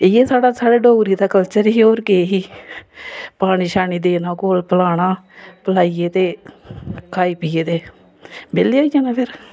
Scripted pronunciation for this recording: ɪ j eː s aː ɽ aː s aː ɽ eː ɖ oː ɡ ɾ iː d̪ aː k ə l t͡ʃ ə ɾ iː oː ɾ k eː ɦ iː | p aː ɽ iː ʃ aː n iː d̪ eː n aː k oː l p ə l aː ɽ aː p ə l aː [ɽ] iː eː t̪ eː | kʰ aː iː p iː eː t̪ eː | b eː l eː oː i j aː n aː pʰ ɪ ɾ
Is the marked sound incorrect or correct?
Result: incorrect